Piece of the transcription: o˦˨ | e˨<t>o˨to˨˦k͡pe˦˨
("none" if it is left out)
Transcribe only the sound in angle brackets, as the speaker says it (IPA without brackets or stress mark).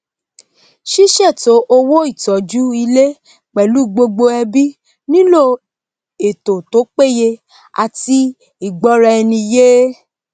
t